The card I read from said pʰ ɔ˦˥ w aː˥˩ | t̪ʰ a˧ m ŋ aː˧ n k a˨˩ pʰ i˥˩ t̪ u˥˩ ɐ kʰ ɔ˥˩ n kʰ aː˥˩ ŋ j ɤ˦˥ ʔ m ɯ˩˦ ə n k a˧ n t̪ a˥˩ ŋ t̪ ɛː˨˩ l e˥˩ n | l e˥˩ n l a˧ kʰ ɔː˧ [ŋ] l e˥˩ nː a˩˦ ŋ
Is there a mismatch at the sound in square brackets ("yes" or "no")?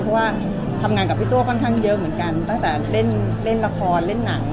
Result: yes